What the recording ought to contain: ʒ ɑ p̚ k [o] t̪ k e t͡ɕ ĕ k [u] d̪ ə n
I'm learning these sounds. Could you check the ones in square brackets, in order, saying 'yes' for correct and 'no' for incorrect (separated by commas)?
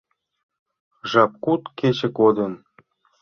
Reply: no, no